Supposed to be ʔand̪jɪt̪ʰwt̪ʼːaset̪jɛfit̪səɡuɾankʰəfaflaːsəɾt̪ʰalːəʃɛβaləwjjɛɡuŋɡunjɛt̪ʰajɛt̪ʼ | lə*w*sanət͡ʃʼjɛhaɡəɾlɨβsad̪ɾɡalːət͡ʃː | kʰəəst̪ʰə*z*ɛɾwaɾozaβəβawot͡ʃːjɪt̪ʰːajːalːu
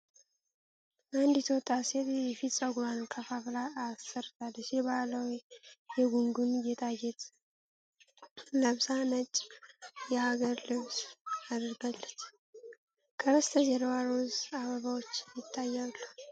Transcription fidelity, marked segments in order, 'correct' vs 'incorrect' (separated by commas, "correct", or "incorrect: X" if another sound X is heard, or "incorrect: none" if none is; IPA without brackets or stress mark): incorrect: β, correct